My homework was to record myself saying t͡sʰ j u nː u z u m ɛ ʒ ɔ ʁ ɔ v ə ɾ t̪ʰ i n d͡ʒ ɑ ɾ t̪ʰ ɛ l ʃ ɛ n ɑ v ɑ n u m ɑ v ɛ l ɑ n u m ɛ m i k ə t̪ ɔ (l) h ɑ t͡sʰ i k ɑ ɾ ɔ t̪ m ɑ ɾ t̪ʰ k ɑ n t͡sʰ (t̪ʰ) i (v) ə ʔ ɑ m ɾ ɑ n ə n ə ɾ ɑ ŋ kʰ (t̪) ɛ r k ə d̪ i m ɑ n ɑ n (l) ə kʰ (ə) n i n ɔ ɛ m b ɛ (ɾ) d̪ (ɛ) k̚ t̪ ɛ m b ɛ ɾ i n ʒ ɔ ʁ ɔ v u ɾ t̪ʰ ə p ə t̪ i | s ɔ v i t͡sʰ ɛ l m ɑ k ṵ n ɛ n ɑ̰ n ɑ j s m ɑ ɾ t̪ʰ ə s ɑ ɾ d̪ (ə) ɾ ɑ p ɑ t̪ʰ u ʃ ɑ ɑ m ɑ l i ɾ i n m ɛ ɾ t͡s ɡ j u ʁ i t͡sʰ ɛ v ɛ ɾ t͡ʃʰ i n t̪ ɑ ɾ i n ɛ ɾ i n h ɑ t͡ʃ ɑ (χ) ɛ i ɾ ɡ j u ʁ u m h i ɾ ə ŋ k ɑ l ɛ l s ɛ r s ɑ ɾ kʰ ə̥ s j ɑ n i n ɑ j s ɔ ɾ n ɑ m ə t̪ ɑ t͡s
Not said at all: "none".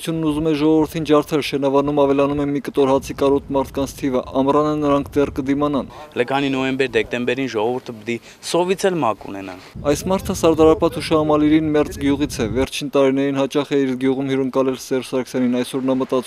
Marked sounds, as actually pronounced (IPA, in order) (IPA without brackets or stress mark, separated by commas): ɾ, t̪ʰ, v, d̪, l, ɑ, ɾ, ɛ, ɑ, χ